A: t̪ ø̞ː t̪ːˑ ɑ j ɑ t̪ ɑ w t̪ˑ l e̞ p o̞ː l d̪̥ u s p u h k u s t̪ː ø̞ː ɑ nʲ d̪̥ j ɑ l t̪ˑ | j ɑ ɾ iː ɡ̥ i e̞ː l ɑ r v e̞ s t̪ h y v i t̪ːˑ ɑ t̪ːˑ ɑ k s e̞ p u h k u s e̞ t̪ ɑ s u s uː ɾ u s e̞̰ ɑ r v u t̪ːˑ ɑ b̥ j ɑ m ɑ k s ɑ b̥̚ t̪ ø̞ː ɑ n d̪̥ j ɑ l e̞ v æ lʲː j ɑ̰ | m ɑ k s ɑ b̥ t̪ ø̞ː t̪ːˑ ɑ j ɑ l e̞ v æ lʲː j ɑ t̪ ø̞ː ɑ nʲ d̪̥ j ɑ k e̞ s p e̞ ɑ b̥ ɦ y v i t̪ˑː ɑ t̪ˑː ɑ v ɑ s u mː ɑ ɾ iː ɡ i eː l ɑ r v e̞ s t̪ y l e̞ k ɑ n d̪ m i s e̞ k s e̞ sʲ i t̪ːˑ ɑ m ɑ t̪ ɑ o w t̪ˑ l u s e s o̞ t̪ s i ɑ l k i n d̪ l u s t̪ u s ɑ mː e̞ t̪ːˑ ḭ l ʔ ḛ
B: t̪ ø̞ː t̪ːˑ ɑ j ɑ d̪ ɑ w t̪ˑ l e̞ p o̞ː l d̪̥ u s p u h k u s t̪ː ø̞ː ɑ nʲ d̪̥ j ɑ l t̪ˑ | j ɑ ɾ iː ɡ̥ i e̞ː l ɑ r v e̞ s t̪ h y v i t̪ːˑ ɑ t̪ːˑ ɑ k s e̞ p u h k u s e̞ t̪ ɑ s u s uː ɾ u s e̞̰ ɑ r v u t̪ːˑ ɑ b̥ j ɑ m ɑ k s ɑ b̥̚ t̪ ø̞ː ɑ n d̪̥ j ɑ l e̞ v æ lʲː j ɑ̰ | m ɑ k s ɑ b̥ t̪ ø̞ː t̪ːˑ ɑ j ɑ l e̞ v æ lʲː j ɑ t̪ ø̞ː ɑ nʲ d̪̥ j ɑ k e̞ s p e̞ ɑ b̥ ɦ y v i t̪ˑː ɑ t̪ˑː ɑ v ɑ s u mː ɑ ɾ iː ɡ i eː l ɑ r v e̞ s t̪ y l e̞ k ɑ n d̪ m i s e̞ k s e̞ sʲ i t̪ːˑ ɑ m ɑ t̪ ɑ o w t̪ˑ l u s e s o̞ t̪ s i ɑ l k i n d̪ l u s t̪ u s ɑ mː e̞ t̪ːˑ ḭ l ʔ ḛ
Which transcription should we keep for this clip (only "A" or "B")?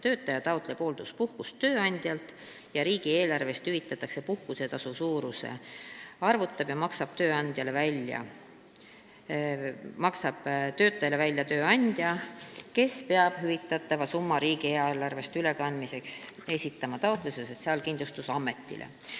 A